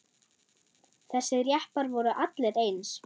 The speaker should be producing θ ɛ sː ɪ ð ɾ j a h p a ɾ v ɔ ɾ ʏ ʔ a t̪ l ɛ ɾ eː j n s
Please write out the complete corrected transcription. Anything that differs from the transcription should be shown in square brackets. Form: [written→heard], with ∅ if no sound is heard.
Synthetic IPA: θ ɛ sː ɪ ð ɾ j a h p a ɾ v ɔ ɾ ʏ ʔ a t̪ l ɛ ɾ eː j n s